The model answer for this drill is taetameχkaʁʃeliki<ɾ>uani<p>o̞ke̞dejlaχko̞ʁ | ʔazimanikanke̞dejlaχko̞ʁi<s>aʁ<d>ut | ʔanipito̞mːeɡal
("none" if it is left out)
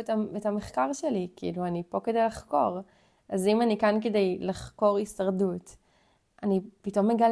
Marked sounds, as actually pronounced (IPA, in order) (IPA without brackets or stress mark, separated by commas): l, p, s, d